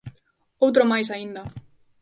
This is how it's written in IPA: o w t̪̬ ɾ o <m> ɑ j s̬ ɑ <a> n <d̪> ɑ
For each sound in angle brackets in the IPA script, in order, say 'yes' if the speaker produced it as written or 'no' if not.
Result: yes, no, yes

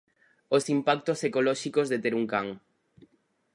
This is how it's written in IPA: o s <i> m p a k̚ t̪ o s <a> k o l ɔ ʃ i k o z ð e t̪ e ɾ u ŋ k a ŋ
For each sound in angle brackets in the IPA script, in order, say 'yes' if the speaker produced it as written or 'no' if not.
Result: yes, no

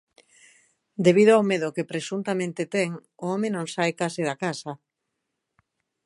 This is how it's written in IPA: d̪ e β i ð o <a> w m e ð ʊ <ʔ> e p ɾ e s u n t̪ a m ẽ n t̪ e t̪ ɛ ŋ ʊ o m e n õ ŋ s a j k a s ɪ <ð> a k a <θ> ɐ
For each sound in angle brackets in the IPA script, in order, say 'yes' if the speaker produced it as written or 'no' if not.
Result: yes, no, yes, no

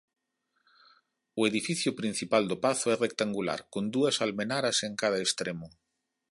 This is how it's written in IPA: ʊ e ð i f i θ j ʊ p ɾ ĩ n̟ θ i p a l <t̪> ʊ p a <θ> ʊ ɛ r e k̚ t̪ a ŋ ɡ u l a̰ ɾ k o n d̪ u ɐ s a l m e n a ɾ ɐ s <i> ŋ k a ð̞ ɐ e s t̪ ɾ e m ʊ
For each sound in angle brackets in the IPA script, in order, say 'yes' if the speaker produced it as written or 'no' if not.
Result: no, yes, no

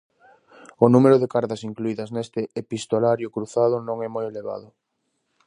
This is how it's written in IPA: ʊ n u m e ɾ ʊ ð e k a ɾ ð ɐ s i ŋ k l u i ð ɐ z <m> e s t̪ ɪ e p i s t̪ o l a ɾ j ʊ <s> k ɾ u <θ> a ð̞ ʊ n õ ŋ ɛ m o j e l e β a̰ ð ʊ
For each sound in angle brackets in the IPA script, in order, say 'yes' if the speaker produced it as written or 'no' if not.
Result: no, no, yes

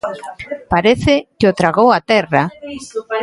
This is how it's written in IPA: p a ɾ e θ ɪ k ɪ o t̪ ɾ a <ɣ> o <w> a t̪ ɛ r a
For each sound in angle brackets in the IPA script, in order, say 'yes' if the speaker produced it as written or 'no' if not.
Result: yes, yes

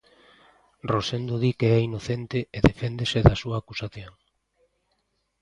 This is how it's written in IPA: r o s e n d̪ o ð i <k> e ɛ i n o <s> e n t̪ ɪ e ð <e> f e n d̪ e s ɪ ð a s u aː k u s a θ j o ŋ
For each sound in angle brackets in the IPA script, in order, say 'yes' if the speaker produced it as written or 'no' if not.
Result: yes, no, yes

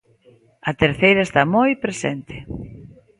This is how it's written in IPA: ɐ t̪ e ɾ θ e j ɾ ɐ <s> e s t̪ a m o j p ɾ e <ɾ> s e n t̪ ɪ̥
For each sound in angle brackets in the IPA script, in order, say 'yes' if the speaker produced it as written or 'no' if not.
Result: no, no

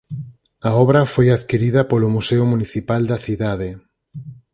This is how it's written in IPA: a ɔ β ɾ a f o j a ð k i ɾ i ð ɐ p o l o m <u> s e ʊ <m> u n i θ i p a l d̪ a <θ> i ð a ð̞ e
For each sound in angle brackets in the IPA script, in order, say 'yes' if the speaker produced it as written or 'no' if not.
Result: yes, yes, yes

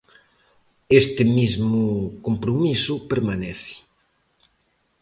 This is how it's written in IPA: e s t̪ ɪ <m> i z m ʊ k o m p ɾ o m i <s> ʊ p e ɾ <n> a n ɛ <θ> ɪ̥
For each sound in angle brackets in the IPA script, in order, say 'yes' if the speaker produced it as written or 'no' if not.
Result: yes, yes, no, yes

